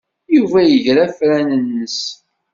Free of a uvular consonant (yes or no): yes